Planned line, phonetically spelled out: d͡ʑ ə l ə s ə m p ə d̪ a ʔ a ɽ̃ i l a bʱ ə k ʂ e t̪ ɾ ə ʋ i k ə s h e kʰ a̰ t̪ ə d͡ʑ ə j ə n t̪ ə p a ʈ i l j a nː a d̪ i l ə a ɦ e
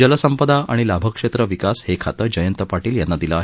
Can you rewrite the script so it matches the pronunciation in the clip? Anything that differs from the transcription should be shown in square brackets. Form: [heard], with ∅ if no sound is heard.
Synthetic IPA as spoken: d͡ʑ ə l ə s ə m p ə d̪ a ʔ a ɽ̃ i l a bʱ ə k ʂ e t̪ ɾ ə ʋ i k [a] s h e kʰ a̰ t̪ ə d͡ʑ ə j ə n t̪ ə p a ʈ [iː] l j a nː a d̪ i l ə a ɦ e